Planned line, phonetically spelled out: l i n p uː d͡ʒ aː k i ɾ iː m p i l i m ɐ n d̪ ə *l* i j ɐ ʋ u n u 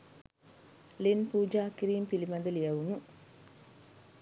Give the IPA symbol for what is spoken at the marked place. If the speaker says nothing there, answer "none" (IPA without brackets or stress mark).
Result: l